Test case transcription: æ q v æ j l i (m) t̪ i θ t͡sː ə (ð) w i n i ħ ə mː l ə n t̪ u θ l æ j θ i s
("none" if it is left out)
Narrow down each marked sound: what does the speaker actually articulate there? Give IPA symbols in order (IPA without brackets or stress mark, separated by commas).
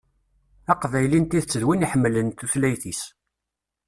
n, ð